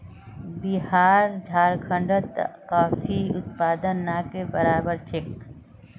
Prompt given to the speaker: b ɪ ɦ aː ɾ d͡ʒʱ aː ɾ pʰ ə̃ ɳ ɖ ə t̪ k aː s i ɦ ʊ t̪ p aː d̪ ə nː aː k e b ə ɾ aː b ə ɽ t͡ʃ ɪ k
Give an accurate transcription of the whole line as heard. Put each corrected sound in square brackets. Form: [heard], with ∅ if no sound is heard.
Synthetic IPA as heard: b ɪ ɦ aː ɾ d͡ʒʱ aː ɾ [kʰ] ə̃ ɳ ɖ ə t̪ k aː [f] i [∅] ʊ t̪ p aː d̪ ə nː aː k e b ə ɾ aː b ə [ɾ] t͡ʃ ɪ k